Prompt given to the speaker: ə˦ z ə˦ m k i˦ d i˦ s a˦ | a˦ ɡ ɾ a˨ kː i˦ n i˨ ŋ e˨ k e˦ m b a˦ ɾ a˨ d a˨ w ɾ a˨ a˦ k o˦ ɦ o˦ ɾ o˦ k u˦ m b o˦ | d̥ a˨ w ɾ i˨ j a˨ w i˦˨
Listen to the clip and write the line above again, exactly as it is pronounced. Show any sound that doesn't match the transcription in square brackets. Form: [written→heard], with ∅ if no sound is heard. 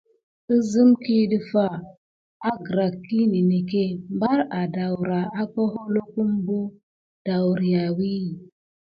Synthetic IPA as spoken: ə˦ z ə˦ m k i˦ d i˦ [s→f] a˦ | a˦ ɡ ɾ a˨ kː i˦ n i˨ [ŋ→n] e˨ k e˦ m b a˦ ɾ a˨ d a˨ w ɾ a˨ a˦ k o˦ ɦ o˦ [ɾ→l] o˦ k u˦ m b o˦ | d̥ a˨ w ɾ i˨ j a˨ w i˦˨